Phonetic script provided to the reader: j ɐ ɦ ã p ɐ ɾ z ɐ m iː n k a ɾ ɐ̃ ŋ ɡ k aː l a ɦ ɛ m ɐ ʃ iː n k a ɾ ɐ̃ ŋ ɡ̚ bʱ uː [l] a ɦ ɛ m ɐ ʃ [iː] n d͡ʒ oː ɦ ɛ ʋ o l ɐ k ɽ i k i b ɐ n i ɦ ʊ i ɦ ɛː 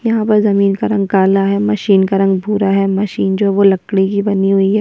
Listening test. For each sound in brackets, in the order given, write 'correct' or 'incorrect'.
incorrect, correct

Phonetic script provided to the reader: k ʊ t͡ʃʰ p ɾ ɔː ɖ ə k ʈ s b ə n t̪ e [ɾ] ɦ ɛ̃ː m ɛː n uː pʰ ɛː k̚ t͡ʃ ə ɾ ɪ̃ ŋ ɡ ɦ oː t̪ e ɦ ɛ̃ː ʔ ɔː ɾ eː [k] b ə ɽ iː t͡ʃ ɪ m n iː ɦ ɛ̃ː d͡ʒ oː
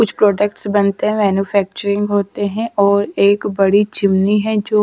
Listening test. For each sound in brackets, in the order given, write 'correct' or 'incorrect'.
incorrect, correct

